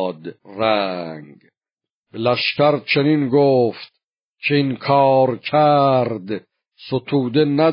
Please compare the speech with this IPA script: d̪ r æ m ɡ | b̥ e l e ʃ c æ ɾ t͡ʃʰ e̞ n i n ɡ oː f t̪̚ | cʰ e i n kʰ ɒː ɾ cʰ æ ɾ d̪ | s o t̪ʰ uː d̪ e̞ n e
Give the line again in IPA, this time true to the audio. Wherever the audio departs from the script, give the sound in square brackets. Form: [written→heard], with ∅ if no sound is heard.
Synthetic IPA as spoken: d̪ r æ [m→ŋ] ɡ | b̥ e l [e→æ] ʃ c æ ɾ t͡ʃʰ e̞ n i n ɡ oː f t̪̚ | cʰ e i n kʰ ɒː ɾ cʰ æ ɾ d̪ | s o t̪ʰ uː d̪ e̞ n [e→æ]